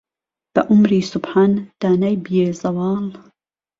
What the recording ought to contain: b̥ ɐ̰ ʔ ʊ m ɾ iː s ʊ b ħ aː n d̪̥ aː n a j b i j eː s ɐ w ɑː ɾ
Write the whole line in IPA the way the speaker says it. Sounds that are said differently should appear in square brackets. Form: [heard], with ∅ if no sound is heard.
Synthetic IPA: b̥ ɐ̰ ʔ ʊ m ɾ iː s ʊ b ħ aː n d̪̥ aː n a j b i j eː [z] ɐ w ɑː [l]